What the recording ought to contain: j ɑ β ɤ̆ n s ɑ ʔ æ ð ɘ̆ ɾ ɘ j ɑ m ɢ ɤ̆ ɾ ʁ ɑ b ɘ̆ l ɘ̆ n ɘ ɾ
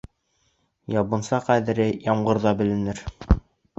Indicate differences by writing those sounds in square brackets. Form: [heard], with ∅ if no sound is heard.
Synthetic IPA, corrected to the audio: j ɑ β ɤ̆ n s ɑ [q] æ ð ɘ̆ ɾ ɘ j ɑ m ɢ ɤ̆ ɾ [ð] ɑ b ɘ̆ l ɘ̆ n ɘ ɾ